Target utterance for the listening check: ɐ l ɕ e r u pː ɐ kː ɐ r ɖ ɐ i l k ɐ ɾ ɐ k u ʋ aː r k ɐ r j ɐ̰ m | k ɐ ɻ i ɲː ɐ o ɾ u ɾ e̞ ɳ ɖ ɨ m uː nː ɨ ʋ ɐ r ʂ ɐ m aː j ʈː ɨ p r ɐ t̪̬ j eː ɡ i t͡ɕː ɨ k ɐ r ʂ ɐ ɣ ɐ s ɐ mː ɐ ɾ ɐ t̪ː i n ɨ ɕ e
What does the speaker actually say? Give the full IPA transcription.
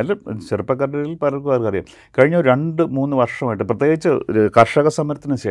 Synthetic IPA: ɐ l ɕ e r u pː ɐ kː ɐ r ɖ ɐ i l p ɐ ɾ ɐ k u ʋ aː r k ɐ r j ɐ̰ m | k ɐ ɻ i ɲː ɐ o ɾ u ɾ e̞ ɳ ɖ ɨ m uː nː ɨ ʋ ɐ r ʂ ɐ m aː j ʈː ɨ p r ɐ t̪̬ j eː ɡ i t͡ɕː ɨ k ɐ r ʂ ɐ ɣ ɐ s ɐ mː ɐ ɾ ɐ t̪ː i n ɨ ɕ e